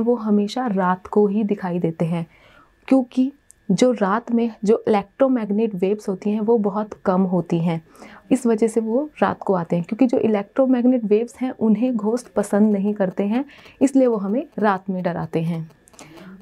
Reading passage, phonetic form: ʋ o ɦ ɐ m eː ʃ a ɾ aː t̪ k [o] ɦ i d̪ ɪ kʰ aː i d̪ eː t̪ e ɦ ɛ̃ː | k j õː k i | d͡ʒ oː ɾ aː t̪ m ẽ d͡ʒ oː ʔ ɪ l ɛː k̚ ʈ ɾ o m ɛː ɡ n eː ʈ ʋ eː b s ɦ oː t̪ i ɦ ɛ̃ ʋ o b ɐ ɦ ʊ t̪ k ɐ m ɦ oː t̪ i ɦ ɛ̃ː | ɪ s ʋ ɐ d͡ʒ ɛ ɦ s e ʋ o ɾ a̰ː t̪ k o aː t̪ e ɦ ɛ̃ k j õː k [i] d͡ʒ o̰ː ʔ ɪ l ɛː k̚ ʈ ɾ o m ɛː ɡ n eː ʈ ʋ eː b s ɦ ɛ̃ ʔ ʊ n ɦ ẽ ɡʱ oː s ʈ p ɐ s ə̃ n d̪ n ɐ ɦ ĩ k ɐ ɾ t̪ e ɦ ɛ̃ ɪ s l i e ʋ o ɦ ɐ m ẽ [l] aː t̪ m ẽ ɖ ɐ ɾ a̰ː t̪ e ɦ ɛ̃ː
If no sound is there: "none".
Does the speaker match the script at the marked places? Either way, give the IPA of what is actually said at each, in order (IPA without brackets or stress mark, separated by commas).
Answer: o, i, ɾ